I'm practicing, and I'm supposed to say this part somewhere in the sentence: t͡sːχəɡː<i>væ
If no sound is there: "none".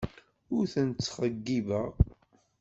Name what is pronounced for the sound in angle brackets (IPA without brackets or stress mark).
i